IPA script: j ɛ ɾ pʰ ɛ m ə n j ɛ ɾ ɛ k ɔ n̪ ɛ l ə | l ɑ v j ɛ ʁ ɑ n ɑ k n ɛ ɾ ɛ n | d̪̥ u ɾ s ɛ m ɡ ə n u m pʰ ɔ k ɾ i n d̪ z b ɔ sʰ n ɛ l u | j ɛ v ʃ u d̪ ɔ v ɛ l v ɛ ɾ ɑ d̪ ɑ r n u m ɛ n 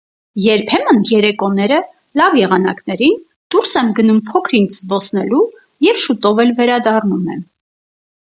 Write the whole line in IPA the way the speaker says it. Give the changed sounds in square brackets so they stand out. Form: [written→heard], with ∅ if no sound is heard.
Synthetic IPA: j ɛ ɾ pʰ ɛ m ə n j ɛ ɾ ɛ k ɔ n̪ ɛ [l→ɾ] ə | l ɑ v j ɛ ʁ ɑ n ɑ k n ɛ ɾ [ɛ→i] n | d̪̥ u ɾ s ɛ m ɡ ə n u m pʰ ɔ [k→kʰ] ɾ i n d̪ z b ɔ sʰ n ɛ l u | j ɛ v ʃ u [d̪→t̪] ɔ v ɛ l v ɛ ɾ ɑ d̪ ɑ r n u m ɛ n